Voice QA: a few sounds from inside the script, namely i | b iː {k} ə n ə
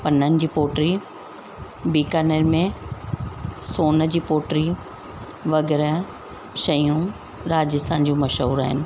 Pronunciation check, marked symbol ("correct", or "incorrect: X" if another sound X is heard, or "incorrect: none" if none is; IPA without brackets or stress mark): correct